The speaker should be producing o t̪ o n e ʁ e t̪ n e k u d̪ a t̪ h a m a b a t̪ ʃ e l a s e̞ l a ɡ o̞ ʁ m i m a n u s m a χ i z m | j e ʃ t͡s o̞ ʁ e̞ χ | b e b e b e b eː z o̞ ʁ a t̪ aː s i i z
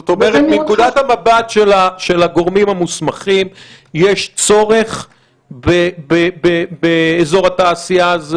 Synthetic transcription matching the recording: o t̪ o m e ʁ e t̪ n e k u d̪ a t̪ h a m a b a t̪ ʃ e l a ʃ e̞ l a ɡ o̞ ʁ m i m a m u s m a χ i m | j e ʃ t͡s o̞ ʁ e̞ χ | b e b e b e b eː z o̞ ʁ a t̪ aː s i a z